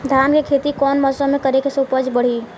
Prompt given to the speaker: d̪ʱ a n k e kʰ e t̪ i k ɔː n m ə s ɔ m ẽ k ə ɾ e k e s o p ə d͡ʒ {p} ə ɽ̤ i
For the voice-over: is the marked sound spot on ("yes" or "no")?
no